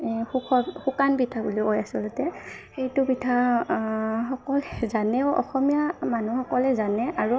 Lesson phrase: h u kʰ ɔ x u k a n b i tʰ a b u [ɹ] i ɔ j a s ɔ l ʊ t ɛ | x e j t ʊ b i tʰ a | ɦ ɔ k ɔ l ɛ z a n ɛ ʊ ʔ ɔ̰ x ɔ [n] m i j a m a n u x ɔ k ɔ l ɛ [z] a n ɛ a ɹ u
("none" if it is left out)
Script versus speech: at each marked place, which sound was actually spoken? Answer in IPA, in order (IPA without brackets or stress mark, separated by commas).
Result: l, none, z